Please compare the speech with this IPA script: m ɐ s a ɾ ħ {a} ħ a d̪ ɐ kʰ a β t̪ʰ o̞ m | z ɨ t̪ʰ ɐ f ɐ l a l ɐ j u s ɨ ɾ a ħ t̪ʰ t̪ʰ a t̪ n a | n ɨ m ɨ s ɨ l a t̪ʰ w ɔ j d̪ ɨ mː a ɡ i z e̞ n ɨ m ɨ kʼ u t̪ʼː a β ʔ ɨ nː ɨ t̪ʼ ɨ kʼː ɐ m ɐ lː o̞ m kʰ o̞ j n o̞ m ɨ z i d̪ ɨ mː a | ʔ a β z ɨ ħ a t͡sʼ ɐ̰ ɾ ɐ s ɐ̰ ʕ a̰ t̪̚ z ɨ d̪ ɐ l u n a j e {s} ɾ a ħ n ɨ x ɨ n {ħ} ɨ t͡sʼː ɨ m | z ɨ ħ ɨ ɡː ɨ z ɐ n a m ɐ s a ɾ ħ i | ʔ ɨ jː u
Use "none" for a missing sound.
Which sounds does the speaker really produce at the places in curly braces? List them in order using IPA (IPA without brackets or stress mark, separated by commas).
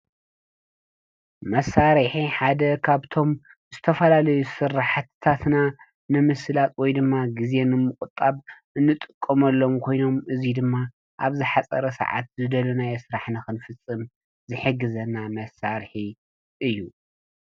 i, s, f